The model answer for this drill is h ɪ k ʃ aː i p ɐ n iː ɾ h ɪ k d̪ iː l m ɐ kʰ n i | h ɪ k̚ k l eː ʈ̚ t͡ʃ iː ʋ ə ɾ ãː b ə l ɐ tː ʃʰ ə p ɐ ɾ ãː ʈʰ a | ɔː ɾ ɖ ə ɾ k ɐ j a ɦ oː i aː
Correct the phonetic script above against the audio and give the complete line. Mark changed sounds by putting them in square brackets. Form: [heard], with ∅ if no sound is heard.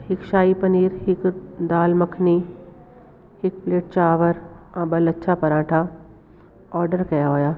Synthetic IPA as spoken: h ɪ k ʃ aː i p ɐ n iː ɾ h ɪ k d̪ [aː] l m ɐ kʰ n i | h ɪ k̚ [p] l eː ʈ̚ t͡ʃ [aː] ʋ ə ɾ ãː b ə l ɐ tː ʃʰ [a] p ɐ ɾ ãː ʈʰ a | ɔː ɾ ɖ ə ɾ k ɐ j a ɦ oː [j] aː